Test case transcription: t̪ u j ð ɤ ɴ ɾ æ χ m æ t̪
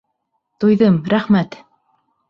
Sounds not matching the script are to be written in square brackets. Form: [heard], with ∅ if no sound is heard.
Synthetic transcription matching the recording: t̪ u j ð ɤ [m] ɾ æ χ m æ t̪